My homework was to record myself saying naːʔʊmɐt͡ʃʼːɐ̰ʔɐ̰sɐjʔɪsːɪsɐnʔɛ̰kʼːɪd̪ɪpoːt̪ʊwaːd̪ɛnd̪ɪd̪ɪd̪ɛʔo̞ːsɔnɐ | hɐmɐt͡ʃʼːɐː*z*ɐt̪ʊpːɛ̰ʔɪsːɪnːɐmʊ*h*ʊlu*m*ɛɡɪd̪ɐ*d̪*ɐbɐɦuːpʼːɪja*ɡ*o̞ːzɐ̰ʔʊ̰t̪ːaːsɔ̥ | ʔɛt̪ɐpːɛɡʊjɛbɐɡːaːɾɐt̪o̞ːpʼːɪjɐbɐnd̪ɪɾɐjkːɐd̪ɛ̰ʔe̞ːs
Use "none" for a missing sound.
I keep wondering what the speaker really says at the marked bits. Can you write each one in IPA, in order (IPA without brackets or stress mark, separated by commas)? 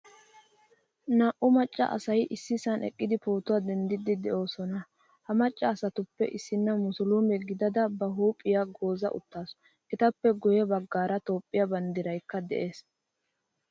s, s, m, d̪, ɡ